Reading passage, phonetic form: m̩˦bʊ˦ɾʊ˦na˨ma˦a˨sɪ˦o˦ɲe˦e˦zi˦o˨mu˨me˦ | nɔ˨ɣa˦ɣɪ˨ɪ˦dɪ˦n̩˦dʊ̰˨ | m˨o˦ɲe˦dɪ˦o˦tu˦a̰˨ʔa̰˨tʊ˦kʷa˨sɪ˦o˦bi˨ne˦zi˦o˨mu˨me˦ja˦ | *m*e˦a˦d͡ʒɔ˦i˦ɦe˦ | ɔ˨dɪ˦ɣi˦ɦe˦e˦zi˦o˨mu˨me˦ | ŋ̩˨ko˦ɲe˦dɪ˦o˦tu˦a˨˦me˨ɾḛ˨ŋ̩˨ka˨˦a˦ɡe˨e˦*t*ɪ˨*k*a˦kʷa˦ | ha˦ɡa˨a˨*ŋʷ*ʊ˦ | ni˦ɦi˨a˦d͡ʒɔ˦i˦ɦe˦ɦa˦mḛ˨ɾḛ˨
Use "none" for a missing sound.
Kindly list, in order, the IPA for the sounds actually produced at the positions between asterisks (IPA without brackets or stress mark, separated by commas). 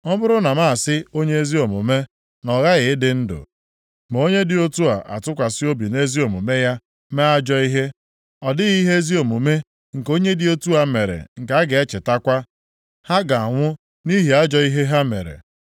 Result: m, t͡ʃ, t, ŋʷ